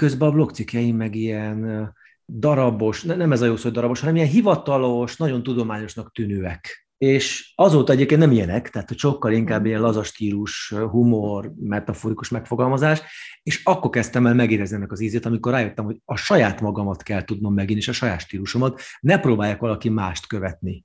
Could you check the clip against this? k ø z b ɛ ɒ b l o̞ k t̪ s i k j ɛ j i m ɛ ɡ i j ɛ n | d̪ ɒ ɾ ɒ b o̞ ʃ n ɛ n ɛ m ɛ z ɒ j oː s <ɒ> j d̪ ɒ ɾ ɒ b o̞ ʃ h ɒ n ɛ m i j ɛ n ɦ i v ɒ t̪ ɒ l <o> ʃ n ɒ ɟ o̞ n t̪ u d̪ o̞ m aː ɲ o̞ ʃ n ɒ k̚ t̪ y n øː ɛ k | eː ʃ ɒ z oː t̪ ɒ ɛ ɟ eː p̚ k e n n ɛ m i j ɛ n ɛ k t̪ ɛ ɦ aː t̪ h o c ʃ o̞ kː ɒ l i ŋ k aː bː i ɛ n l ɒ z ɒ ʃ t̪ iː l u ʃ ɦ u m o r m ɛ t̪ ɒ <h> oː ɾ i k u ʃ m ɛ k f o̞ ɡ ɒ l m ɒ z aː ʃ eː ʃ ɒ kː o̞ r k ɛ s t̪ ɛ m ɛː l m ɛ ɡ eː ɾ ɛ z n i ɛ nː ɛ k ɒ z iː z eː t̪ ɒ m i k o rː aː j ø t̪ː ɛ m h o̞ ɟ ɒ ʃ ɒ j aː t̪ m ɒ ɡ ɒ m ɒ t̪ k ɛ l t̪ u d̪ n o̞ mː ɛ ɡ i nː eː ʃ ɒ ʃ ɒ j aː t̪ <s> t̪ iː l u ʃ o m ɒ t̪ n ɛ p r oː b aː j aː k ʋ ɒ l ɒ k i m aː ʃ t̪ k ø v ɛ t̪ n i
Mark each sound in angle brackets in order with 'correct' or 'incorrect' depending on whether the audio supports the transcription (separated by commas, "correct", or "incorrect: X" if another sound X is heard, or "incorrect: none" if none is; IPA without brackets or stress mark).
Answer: incorrect: o, correct, incorrect: f, incorrect: ʃ